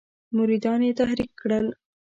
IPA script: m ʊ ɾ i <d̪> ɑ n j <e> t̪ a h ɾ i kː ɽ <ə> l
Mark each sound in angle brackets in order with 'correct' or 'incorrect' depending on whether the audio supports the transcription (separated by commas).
correct, correct, correct